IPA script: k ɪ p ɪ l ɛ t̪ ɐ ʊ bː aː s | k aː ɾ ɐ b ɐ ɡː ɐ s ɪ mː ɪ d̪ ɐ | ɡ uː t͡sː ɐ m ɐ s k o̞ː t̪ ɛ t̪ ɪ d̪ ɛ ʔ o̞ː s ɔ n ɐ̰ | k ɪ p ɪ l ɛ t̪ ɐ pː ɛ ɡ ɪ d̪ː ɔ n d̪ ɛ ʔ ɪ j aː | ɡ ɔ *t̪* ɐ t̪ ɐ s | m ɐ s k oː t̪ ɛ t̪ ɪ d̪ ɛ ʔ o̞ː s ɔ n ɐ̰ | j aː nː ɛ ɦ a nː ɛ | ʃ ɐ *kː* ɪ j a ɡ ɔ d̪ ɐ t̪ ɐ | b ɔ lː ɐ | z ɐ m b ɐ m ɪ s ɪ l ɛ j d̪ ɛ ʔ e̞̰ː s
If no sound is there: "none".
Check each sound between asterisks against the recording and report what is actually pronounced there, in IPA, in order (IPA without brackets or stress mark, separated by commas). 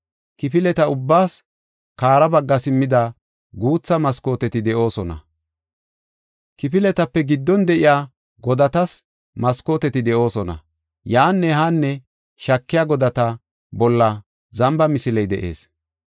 d̪, kː